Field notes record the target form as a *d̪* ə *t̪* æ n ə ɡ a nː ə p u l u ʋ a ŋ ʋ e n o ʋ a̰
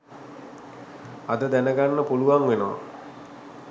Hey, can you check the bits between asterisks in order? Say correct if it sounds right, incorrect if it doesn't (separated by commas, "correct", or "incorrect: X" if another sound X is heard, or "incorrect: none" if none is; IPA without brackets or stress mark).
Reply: correct, incorrect: d̪